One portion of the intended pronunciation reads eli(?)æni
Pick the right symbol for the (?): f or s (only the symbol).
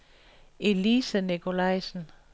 s